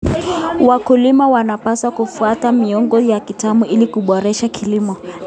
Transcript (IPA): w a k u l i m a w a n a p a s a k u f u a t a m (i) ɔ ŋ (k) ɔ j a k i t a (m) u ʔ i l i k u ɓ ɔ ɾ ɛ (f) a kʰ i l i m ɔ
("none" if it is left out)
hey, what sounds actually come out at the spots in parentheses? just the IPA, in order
i, ɡ, m, ʃ

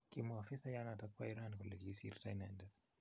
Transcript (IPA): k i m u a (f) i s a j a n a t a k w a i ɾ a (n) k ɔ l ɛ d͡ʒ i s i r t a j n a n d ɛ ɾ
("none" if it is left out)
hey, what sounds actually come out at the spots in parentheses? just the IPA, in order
f, n

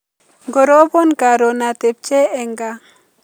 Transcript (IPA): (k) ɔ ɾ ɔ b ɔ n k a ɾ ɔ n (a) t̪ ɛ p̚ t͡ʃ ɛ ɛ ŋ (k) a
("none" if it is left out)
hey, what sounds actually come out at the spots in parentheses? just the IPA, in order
ɡ, a, ɡ

